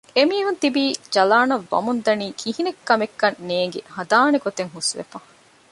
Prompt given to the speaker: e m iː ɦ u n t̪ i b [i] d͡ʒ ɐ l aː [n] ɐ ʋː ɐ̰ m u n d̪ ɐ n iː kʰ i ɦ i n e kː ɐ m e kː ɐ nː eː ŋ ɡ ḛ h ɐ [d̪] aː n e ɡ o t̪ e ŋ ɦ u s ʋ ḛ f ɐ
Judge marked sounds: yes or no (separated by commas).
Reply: no, yes, yes